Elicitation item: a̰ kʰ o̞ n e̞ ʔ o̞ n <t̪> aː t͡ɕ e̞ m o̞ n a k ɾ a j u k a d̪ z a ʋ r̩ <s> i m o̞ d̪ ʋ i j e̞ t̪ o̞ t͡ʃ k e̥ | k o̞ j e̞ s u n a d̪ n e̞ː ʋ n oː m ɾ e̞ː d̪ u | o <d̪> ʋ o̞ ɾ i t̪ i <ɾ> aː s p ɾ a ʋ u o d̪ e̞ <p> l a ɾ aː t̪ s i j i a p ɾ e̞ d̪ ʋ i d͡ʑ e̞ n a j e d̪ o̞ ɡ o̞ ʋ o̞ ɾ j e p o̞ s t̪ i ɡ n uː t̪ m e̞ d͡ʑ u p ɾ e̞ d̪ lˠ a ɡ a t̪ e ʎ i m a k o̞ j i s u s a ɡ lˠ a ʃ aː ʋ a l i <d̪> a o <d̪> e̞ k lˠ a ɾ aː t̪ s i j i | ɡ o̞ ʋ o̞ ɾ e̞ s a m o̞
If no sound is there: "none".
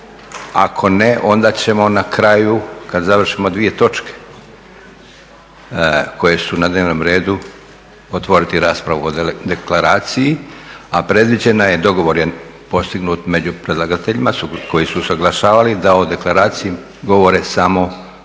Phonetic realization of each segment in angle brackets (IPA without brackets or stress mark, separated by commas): d̪, ʃ, t̪, ɾ, k, d̪, d̪